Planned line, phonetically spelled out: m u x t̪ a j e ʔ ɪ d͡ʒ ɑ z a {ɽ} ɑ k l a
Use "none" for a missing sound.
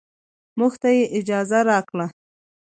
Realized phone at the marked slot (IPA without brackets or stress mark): ɾ